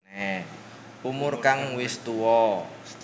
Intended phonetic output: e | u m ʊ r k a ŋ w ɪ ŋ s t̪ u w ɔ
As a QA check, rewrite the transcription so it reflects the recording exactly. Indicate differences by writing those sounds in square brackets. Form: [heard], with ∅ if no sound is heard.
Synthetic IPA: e | u m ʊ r k a ŋ w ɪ [∅] s t̪ u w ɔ

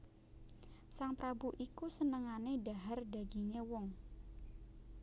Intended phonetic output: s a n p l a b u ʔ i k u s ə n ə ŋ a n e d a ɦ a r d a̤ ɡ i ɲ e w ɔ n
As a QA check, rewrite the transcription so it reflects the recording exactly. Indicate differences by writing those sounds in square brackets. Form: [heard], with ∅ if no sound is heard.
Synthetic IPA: s a [ŋ] p [ɾ] a b u ʔ i k u s ə n ə ŋ a n e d a ɦ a r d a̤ ɡ i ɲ e w ɔ [ŋ]

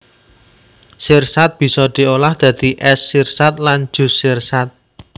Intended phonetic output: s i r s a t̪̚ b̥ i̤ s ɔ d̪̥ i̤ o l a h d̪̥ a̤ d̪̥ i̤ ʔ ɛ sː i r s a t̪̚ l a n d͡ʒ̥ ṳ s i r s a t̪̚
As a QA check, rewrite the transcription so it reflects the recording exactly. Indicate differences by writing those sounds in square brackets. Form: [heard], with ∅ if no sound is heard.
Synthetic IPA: s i r s a t̪̚ b̥ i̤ s ɔ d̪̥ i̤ o l a h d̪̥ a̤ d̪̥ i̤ ʔ ɛ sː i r s a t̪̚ l a n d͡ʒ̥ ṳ s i r s a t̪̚

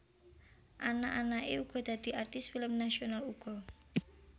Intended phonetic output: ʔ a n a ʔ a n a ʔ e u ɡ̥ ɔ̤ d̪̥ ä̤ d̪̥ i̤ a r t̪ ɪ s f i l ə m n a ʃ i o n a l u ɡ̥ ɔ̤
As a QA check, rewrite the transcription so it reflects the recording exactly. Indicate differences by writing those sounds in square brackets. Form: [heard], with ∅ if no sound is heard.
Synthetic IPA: ʔ a n a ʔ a n a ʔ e u ɡ̥ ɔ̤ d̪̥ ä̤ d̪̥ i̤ a r t̪ ɪ s f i l ə m n a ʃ i o n a l u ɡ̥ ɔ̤

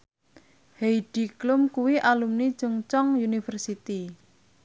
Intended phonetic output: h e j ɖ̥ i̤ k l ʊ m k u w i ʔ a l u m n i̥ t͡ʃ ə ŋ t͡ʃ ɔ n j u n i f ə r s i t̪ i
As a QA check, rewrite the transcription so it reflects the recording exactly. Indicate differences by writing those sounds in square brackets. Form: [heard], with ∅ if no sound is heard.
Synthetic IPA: h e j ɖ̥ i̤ k l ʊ m k u w i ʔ a l u m n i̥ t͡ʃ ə ŋ t͡ʃ ɔ [ŋ] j u n i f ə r s i t̪ i

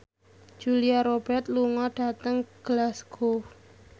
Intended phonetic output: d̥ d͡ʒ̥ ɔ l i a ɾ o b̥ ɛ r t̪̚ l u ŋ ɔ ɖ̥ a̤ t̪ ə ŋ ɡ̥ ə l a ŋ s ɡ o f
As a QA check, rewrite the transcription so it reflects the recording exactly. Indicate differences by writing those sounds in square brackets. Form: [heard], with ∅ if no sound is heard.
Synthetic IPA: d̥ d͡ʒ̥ [u] l i a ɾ o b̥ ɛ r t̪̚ l u ŋ ɔ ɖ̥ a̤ t̪ ə ŋ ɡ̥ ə l a [∅] s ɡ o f

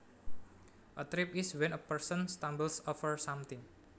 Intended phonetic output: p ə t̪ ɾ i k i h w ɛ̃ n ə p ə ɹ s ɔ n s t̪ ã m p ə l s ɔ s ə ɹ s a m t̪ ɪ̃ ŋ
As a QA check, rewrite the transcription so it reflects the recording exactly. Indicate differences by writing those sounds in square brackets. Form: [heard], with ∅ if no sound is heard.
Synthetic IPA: [ʔ] ə t̪ ɾ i [p] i [s] w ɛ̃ n ə p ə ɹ s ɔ n s t̪ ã m [b] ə l s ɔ [f] ə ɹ s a m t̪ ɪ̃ ŋ

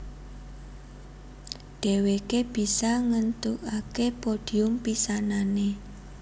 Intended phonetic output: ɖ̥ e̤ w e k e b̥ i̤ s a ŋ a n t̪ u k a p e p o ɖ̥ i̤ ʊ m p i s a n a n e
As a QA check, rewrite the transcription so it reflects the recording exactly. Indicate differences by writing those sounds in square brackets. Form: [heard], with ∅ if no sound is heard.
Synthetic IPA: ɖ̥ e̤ w e k e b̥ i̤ s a ŋ [ə] n t̪ u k a [k] e p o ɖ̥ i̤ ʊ m p i s a n a n e

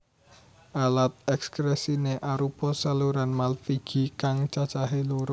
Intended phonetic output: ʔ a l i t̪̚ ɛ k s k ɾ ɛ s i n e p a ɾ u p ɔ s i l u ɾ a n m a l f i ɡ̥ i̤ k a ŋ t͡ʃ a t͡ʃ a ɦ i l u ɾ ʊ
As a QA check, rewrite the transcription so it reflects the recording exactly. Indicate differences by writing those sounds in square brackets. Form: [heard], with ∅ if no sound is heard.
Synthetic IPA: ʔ a l [a] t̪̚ ɛ k s k ɾ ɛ s i n e [ʔ] a ɾ u p ɔ s [a] l u ɾ a n m a l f i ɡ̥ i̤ k a ŋ t͡ʃ a t͡ʃ a ɦ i l u ɾ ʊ

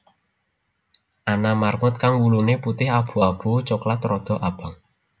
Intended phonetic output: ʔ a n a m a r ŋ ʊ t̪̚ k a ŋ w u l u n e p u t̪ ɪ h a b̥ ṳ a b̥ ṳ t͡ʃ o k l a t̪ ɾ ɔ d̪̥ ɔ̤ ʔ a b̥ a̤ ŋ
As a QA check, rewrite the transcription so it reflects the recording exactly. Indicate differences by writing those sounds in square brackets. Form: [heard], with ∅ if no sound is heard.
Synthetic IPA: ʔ a n a m a r ŋ ʊ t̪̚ k a ŋ w u l u n e p u t̪ ɪ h a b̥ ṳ a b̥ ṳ t͡ʃ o k l a t̪ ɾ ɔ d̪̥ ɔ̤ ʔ a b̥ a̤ ŋ

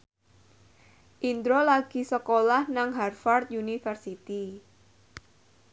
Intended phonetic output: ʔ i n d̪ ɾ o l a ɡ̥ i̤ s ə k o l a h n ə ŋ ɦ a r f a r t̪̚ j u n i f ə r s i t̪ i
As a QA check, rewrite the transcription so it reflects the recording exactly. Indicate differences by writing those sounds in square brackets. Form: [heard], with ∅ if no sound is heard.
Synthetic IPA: ʔ i n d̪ ɾ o l a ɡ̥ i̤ s ə k o l a h n [a] ŋ ɦ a r f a r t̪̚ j u n i f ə r s i t̪ i

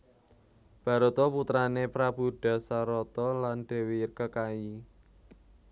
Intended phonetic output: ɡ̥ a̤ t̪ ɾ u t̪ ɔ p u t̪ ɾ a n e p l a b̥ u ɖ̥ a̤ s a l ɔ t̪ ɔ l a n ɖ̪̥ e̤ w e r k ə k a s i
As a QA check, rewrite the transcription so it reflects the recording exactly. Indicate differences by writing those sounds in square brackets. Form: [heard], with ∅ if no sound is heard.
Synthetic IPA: [b̥] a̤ [∅] ɾ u t̪ ɔ p u t̪ ɾ a n e p [ɾ] a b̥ u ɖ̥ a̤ s a [ɾ] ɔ t̪ ɔ l a n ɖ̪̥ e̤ w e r k ə k a [∅] i

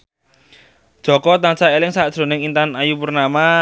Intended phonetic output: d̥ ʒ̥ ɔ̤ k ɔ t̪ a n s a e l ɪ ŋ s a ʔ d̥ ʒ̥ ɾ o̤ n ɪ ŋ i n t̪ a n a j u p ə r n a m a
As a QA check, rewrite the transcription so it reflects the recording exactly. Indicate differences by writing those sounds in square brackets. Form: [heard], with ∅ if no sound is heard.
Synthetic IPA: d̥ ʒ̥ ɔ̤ k ɔ t̪ a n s a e l ɪ ŋ s a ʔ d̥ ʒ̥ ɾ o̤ n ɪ ŋ i n t̪ a n a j u p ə r n a m a

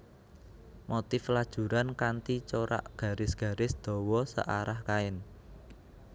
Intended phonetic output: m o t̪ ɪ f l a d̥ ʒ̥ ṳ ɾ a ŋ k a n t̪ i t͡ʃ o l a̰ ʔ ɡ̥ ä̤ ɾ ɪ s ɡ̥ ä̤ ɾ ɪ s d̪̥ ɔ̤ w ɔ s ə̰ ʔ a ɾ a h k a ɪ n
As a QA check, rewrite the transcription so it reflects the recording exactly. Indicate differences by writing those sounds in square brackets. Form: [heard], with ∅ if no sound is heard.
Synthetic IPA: m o t̪ ɪ f l a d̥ ʒ̥ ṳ ɾ a [n] k a n t̪ i t͡ʃ o [ɾ] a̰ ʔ ɡ̥ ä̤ ɾ ɪ s ɡ̥ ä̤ ɾ ɪ s d̪̥ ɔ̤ w ɔ s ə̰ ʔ a ɾ a h k a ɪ n

